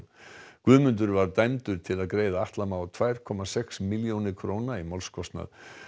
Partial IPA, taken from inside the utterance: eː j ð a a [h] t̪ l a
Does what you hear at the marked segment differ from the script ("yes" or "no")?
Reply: no